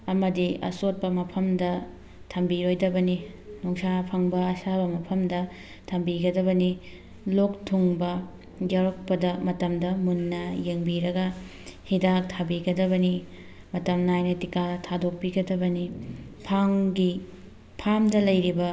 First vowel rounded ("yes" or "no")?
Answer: no